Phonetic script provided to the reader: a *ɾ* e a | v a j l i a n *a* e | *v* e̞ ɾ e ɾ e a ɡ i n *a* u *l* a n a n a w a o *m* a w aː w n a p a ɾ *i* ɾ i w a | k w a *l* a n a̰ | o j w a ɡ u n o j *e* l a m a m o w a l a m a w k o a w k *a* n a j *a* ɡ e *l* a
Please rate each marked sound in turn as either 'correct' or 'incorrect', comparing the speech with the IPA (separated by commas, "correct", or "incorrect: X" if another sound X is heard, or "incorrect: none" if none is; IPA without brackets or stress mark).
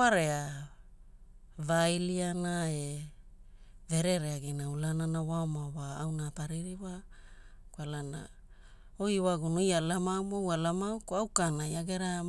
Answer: correct, correct, correct, correct, correct, correct, correct, correct, incorrect: a, correct, correct, incorrect: ɾ